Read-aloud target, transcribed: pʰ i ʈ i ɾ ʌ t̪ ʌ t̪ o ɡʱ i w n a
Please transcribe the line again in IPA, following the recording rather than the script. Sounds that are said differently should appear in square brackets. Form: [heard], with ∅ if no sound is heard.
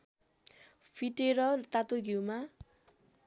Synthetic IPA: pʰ i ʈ [e] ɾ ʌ t̪ [a] t̪ o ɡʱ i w [m] a